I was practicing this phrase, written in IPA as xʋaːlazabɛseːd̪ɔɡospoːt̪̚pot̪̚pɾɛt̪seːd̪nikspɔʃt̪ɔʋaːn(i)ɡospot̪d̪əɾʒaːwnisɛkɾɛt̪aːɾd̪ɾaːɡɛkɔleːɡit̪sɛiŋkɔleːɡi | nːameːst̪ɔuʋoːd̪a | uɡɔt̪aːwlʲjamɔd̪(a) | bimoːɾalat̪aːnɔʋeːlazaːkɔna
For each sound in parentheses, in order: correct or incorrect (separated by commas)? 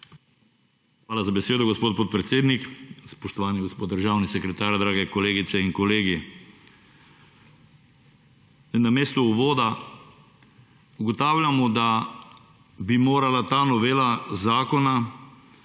correct, correct